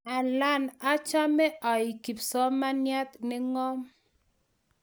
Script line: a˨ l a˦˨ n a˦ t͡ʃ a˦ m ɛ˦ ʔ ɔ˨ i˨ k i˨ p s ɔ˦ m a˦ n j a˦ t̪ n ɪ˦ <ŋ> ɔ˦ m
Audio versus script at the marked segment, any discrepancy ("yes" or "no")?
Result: no